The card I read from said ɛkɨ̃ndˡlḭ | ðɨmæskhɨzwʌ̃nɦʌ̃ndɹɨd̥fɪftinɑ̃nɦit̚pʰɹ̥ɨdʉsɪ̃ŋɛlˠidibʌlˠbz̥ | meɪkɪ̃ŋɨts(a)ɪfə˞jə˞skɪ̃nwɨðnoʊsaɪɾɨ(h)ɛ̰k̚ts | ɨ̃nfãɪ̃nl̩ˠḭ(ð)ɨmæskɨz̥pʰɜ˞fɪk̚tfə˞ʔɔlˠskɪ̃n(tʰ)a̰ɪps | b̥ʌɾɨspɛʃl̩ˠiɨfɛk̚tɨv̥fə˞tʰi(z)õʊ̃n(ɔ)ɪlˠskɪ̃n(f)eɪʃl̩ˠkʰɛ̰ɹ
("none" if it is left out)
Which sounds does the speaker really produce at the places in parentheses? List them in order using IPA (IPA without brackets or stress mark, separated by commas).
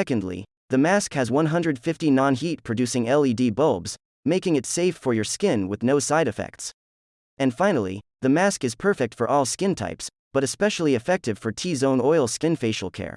e, f, ð, tʰ, z, ɔ, f